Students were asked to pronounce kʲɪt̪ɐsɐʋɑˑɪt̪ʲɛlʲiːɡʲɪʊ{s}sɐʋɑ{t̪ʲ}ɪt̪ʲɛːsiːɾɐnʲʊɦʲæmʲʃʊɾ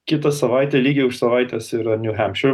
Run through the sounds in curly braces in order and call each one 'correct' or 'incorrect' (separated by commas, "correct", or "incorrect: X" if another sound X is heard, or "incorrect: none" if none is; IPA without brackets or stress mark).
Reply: incorrect: ʃ, incorrect: none